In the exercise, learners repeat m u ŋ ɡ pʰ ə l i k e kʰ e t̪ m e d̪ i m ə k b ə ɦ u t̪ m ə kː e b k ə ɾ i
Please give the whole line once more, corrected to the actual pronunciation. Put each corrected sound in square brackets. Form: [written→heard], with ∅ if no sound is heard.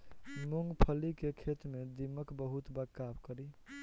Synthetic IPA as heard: m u ŋ ɡ pʰ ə l i k e kʰ e t̪ m e d̪ i m ə k b ə ɦ u t̪ [m→b] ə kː [e→a] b k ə ɾ i

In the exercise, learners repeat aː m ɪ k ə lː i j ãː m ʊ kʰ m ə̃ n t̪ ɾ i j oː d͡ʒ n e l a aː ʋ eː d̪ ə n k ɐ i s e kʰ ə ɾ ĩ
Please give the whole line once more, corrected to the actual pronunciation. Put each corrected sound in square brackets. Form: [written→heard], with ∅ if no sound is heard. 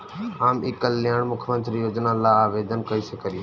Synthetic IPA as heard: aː m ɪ k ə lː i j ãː m ʊ kʰ m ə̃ n t̪ ɾ i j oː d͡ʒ n [e→a] l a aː ʋ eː d̪ ə n k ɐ i s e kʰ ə ɾ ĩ

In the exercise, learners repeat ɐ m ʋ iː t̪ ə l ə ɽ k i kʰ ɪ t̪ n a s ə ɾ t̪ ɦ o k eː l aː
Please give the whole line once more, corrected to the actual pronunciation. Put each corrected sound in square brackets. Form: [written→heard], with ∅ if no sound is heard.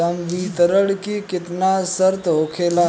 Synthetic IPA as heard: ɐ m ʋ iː t̪ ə [l→ɾ] ə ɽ k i [kʰ→k] ɪ t̪ n a s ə ɾ t̪ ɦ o [k→kʰ] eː l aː

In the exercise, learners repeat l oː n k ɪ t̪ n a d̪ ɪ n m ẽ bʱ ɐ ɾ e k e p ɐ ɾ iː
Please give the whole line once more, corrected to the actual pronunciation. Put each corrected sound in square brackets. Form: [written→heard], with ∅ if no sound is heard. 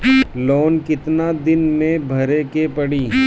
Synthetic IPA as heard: l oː n k ɪ t̪ n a d̪ ɪ n m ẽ bʱ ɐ ɾ e k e p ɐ [ɾ→ɽ] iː

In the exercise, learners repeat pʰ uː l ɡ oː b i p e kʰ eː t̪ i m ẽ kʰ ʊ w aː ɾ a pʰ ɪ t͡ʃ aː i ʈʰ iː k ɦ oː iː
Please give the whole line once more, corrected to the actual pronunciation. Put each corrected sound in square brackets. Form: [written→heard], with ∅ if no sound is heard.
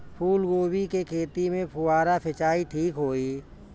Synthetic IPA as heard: pʰ uː l ɡ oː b i [p→k] e kʰ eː t̪ i m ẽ [kʰ→pʰ] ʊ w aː ɾ a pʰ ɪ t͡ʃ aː i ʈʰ iː k ɦ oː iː

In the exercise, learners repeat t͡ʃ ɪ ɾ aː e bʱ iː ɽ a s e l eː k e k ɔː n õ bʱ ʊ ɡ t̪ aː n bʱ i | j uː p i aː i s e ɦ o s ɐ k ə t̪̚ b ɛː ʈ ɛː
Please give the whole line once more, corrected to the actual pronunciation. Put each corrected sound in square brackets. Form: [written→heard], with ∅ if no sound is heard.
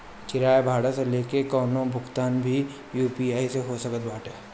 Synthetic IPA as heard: t͡ʃ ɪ ɾ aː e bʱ [iː→aː] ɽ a s e l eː k e k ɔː n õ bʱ ʊ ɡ t̪ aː n bʱ i | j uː p i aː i s e ɦ o s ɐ k ə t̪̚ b [ɛː→aː] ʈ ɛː

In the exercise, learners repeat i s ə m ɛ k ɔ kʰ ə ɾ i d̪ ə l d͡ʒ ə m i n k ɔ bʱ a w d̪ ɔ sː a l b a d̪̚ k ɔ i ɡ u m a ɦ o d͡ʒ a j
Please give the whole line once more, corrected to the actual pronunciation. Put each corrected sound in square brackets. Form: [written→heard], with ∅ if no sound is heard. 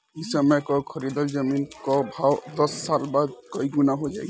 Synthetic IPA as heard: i s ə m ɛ k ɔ kʰ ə ɾ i d̪ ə l d͡ʒ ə m i n k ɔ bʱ a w d̪ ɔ sː a l b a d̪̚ k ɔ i ɡ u [m→n] a ɦ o d͡ʒ a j

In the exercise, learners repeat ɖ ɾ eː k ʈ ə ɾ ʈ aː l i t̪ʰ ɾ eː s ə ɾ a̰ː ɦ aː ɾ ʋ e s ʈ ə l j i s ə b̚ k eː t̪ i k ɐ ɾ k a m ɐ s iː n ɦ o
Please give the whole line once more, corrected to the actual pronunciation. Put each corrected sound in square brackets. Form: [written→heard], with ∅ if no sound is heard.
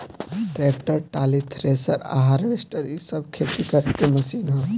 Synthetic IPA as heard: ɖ ɾ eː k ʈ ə ɾ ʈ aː l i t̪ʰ ɾ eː s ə ɾ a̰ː ɦ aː ɾ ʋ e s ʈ ə [l→ɾ] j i s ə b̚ [k→kʰ] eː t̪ i k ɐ ɾ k [a→e] m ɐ s iː n ɦ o

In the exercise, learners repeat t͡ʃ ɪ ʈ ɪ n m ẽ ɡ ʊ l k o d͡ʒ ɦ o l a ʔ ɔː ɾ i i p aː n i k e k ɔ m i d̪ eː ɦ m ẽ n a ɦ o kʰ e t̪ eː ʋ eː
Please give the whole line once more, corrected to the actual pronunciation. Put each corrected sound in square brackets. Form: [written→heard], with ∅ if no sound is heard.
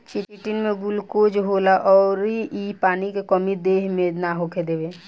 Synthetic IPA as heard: t͡ʃ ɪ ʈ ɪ n m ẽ ɡ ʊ l k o d͡ʒ ɦ o l a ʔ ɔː ɾ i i p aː n i k e k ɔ m i d̪ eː ɦ m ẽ n a ɦ o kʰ e [t̪→d̪] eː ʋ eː

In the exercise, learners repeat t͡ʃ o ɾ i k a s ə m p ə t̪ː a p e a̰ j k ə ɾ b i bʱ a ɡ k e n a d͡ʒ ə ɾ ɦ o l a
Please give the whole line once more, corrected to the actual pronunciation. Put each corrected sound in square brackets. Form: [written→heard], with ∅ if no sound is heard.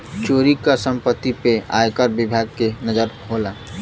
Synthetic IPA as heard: t͡ʃ o ɾ i k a s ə m p ə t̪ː [a→i] p e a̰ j k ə ɾ b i bʱ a ɡ k e n [a→ə] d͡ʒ ə ɾ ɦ o l a

